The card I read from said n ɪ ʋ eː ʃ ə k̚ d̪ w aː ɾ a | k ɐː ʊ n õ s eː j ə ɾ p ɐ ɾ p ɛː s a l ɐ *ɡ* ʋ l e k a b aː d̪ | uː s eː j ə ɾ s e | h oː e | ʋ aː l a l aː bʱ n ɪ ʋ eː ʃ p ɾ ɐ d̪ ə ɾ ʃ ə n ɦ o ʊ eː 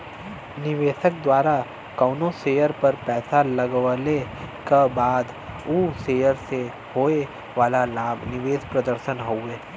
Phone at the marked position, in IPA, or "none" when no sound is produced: ɡ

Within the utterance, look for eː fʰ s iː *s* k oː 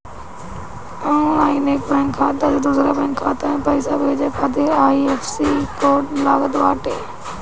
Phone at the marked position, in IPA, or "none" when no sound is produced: none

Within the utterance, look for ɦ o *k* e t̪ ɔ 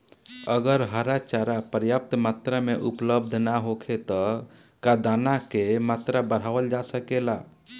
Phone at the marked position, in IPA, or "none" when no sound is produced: kʰ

